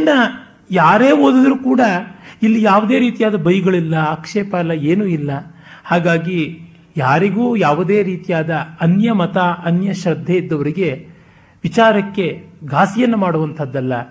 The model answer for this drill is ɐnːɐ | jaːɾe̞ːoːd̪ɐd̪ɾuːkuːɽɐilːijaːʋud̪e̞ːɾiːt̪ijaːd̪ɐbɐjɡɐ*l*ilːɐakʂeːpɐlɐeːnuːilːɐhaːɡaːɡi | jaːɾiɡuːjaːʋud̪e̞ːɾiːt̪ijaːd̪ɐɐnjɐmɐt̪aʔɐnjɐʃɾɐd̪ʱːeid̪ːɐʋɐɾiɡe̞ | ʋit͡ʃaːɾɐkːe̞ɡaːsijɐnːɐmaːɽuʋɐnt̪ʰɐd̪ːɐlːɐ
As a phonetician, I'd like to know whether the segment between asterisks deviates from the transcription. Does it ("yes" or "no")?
yes